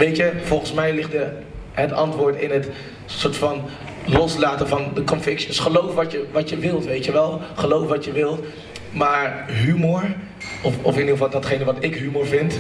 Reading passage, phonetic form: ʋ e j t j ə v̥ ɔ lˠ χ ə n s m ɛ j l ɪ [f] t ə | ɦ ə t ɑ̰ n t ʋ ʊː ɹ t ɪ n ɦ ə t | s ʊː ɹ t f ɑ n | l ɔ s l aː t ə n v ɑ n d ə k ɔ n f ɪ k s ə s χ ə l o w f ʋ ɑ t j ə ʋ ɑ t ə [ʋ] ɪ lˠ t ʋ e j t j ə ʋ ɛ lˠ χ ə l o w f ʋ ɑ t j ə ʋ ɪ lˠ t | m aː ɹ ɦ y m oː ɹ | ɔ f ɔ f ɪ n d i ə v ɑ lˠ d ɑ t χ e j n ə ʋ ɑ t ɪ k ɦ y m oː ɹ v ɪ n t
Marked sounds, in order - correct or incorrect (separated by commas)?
incorrect, correct